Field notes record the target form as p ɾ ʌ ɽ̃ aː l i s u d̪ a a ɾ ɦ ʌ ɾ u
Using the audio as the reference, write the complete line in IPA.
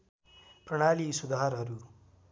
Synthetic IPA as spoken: p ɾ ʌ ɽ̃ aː l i s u d̪ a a ɾ ɦ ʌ ɾ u